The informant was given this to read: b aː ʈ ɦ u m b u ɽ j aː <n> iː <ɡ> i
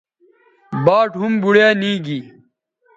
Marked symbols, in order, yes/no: yes, yes

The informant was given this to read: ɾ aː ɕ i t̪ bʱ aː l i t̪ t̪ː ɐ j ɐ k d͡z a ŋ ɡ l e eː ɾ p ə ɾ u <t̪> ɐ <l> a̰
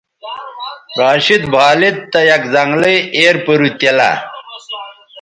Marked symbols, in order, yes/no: yes, yes

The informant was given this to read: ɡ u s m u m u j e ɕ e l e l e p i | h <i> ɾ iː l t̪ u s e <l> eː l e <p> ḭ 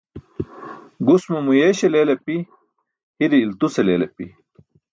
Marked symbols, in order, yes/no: yes, yes, yes

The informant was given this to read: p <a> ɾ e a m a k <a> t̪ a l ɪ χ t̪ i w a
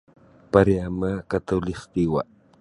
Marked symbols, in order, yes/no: yes, yes

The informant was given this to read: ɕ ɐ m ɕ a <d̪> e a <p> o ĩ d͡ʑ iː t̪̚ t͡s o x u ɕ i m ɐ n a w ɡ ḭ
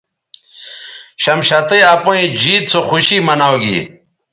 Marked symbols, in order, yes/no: no, yes

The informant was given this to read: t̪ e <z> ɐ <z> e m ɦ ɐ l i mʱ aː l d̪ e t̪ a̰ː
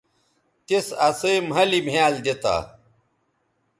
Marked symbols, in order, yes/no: no, no

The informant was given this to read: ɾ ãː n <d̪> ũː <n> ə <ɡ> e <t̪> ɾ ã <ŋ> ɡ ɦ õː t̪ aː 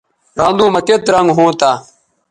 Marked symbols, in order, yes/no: yes, no, no, yes, yes

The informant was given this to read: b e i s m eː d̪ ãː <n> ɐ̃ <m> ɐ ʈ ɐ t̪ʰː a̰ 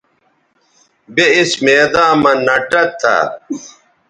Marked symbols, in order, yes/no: no, no

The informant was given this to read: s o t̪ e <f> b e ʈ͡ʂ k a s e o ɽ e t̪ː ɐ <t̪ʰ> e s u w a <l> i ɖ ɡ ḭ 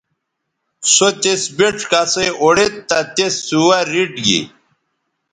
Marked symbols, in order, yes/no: no, no, no

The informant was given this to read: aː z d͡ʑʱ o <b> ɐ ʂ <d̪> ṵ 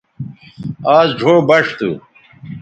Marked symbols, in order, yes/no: yes, no

